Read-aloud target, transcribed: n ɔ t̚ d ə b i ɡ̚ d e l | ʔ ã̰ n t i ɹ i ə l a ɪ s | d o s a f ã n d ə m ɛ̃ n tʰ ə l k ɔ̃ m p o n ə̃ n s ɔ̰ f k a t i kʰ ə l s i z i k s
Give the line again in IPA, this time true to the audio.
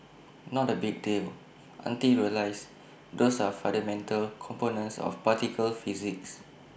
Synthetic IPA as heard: n ɔ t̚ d ə b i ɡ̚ d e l | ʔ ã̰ n t i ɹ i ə l a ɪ s | d o s a f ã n d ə m ɛ̃ n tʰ ə l kʰ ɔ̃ m p o n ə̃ n s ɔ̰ f p a t i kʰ ə l f i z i k s

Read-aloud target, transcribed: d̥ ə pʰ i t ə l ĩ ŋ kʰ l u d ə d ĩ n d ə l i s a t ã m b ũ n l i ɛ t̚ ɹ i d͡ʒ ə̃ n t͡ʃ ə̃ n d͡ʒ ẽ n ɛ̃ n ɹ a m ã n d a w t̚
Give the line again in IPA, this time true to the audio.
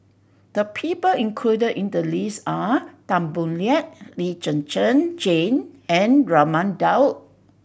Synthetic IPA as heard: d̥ ə pʰ i p ə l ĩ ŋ kʰ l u d ə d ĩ n d ə l i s a t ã m b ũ n l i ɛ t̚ l i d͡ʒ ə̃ n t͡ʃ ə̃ n d͡ʒ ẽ n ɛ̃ n ɹ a m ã n d a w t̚

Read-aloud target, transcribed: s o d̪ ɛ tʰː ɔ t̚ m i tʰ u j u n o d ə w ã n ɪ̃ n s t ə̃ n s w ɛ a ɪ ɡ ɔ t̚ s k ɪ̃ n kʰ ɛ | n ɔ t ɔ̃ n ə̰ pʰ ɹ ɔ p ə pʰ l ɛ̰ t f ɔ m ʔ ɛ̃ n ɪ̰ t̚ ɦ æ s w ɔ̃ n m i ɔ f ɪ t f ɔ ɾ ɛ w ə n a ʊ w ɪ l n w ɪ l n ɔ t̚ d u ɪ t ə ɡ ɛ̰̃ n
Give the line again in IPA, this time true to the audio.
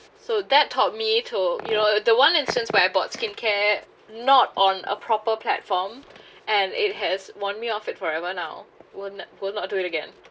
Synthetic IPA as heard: s o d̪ ɛ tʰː ɔ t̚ m i tʰ u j u n o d ə w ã n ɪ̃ n s t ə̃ n s w ɛ a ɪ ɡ ɔ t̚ s k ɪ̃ n kʰ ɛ | n ɔ t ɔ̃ n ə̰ pʰ ɹ ɔ p ə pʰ l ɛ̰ t f ɔ m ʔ ɛ̃ n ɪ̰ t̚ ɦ ɛ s w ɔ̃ n m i ɔ f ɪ t f ɔ ɹ ɛ v ə n a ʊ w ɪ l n w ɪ l n ɔ t̚ d u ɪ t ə ɡ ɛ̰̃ n

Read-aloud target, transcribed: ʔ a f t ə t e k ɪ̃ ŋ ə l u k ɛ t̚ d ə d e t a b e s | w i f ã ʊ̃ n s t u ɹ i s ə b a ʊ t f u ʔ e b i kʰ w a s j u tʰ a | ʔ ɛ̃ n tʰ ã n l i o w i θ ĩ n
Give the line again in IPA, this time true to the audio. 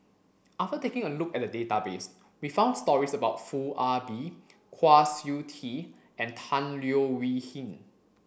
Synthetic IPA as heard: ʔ a f t ə t e k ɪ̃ ŋ ə l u k ɛ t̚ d ə d e t a b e s | w i f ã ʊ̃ n s t ɔ ɹ i s ə b a ʊ t f u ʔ a b i kʰ w a s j u tʰ i | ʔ ɛ̃ n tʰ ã n l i o w i h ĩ n

